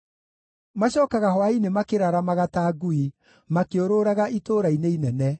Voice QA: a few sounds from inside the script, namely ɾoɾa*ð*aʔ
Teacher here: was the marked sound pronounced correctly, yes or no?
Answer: no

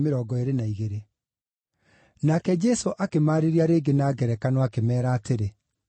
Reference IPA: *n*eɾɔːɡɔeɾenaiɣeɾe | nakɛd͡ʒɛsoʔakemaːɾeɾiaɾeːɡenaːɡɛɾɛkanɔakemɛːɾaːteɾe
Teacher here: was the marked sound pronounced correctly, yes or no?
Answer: no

